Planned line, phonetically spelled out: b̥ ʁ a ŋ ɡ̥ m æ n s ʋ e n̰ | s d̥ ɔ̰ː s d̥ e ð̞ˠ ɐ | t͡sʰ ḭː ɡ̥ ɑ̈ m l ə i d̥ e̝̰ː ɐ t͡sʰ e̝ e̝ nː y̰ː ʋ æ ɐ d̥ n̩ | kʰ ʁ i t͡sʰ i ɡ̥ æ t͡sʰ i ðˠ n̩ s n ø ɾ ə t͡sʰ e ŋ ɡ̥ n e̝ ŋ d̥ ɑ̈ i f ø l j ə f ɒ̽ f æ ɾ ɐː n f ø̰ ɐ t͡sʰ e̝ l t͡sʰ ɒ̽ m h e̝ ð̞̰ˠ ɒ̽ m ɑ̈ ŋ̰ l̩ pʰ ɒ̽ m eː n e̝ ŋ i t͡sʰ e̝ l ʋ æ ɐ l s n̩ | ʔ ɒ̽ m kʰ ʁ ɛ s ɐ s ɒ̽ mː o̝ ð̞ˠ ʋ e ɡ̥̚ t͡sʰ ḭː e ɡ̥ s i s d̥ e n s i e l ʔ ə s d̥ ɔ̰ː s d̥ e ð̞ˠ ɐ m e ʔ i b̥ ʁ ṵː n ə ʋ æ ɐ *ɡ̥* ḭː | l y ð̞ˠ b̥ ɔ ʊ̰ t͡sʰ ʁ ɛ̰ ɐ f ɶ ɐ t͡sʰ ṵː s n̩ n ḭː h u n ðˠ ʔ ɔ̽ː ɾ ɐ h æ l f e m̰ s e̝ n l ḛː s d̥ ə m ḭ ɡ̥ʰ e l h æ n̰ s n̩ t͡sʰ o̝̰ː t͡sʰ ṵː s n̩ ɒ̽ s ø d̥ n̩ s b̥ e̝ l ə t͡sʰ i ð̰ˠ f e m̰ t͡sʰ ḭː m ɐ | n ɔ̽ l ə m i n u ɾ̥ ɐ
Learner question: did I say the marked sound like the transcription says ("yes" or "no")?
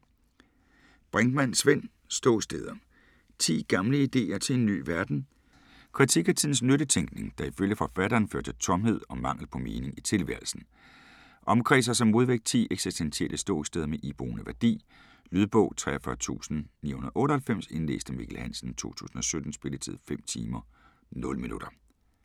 no